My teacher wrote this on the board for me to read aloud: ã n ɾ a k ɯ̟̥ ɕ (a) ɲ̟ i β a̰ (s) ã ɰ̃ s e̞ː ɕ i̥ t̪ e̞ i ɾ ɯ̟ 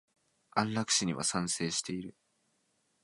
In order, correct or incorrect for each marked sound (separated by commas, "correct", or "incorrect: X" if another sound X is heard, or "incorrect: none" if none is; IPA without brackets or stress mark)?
incorrect: i, correct